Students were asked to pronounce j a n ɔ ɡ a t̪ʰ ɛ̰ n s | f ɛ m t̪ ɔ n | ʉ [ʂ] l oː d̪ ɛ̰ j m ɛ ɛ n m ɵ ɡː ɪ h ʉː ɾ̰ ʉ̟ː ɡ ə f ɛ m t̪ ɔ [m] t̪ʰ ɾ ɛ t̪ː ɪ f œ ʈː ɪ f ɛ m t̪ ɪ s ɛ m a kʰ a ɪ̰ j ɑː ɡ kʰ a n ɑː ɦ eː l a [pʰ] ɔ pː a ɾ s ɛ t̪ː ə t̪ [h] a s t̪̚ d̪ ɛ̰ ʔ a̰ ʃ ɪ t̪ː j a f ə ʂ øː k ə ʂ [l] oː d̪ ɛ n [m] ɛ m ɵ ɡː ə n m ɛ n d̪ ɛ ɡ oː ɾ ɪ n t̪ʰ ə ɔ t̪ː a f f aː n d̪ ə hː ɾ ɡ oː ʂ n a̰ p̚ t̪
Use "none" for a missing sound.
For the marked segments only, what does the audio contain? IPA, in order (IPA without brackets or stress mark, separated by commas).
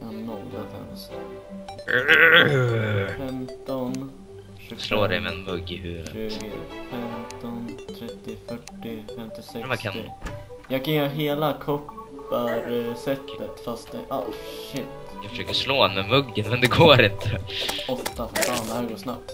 s, n, kʰ, f, l, m